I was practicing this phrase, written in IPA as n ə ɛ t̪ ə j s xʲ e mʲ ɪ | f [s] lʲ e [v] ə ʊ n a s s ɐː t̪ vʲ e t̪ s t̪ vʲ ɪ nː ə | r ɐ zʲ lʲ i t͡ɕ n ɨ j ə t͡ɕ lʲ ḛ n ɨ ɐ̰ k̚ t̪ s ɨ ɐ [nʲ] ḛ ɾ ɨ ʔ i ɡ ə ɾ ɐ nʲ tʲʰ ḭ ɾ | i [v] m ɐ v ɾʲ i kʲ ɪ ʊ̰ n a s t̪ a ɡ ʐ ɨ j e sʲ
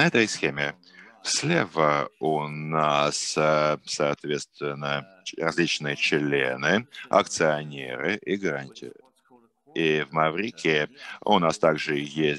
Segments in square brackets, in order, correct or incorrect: correct, correct, correct, correct

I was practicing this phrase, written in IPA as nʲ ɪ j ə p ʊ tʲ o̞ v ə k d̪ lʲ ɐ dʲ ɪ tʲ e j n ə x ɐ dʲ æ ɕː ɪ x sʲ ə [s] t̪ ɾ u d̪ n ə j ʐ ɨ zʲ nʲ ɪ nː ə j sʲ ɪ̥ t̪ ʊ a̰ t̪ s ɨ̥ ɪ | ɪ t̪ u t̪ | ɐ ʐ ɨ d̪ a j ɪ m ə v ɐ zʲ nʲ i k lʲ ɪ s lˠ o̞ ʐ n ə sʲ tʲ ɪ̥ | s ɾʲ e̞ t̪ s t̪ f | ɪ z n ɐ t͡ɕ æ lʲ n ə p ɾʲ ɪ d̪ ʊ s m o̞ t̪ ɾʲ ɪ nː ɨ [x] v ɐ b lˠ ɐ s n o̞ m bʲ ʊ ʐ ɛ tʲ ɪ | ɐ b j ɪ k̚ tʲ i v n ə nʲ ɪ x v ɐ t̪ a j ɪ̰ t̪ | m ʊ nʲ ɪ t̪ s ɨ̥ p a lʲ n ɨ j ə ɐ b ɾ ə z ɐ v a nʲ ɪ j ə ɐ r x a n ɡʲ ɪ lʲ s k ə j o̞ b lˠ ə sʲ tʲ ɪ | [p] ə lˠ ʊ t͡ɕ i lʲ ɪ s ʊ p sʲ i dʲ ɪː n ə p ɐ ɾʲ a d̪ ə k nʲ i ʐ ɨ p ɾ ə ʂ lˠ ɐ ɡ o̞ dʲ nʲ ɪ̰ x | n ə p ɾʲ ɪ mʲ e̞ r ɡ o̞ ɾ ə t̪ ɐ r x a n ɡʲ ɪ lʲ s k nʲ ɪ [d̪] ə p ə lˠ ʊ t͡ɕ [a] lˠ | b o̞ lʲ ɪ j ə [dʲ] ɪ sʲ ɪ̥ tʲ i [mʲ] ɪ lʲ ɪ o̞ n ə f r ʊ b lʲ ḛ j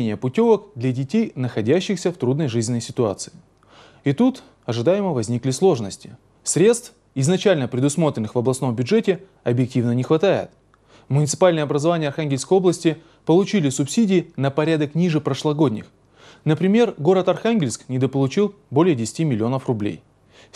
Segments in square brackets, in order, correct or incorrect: incorrect: f, correct, correct, correct, incorrect: i, correct, correct

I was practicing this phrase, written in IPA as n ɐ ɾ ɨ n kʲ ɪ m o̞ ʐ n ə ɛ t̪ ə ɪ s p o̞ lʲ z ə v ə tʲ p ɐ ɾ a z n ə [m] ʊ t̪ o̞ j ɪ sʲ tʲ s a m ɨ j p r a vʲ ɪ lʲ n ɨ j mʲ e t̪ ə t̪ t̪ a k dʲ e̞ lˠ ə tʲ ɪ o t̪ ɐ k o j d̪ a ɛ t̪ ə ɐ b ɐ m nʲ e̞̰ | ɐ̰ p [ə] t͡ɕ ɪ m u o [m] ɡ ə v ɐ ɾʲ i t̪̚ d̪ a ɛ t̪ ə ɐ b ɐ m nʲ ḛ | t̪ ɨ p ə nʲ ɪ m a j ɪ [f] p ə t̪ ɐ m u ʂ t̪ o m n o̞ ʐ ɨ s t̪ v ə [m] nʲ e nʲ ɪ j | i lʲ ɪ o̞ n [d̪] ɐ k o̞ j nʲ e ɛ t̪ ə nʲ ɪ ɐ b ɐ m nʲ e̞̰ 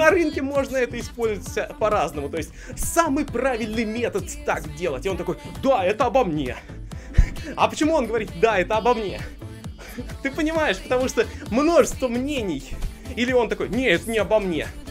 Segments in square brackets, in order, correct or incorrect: correct, correct, incorrect: n, incorrect: ʂ, correct, incorrect: t̪

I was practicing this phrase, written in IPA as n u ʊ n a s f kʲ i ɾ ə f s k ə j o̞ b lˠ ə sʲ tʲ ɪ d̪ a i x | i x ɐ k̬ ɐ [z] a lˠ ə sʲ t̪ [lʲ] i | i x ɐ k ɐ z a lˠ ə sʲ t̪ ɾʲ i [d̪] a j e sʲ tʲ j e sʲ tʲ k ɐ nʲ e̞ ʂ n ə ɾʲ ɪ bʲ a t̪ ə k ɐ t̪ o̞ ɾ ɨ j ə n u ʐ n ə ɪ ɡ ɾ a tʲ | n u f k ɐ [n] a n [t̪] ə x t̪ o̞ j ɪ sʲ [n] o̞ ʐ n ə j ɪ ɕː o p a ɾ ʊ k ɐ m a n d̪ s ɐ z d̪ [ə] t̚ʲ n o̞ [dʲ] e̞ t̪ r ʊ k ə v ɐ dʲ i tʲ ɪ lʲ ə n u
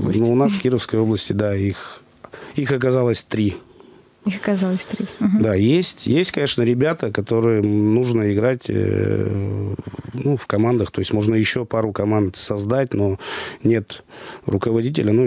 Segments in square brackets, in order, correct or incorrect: correct, incorrect: ɾʲ, correct, incorrect: m, incorrect: d̪, incorrect: m, incorrect: a, incorrect: nʲ

